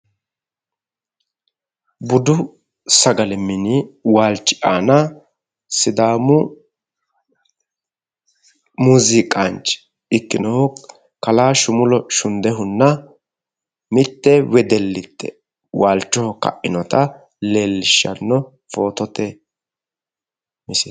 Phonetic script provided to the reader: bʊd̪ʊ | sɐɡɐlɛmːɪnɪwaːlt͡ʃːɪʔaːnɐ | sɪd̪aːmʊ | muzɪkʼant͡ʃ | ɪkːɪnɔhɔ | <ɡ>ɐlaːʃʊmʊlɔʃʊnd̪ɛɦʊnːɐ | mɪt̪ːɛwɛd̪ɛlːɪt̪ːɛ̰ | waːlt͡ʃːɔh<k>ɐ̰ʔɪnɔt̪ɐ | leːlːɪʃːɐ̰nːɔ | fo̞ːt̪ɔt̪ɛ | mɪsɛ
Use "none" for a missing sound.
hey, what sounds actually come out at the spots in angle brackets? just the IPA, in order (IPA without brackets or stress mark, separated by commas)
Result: k, k